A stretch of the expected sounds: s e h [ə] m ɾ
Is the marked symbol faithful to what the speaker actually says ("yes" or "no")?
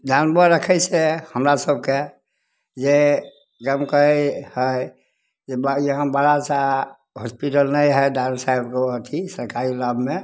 yes